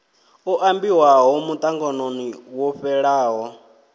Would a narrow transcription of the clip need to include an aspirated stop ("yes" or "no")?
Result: no